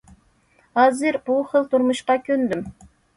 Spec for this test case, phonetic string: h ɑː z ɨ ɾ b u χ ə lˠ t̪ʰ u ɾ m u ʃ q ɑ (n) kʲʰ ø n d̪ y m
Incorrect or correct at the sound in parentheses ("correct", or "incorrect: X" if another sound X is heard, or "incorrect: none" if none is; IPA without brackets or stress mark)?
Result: incorrect: none